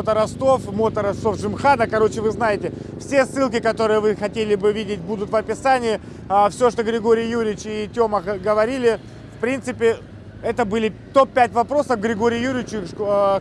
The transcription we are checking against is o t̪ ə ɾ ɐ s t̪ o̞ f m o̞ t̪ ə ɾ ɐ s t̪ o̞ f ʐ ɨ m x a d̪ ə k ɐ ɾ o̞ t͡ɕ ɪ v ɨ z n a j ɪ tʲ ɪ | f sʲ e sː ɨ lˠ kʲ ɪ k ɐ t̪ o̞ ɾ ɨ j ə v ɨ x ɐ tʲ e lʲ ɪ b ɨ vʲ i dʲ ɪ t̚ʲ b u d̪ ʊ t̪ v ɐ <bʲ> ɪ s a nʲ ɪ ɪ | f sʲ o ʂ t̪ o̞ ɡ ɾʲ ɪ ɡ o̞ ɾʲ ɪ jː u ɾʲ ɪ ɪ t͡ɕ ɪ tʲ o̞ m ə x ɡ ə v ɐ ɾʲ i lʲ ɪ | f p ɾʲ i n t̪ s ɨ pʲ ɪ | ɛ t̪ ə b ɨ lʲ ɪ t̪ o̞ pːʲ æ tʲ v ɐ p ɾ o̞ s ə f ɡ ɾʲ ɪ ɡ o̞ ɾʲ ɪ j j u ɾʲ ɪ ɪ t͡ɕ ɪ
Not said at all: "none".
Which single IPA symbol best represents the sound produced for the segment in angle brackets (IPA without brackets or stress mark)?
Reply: pʲ